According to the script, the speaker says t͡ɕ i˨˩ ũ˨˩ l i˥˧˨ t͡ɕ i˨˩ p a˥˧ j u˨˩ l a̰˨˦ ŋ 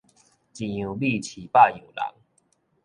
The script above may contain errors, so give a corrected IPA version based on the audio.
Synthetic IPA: t͡ɕ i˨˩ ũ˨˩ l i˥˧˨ t͡ɕʰ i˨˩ p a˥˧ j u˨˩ l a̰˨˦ ŋ